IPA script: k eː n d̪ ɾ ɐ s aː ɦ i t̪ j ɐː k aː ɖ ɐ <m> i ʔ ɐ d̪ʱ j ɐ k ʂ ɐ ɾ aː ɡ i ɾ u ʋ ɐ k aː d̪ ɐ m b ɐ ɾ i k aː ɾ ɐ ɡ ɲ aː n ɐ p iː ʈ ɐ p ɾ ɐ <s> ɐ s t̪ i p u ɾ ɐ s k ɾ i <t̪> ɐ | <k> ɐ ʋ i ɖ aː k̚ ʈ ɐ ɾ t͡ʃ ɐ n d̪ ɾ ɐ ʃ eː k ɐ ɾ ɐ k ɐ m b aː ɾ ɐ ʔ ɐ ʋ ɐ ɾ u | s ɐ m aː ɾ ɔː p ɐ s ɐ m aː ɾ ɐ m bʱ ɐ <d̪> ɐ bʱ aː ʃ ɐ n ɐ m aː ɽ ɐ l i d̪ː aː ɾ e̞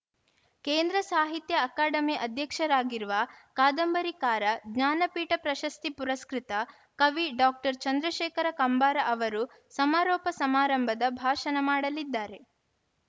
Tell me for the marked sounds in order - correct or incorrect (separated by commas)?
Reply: correct, incorrect, correct, correct, correct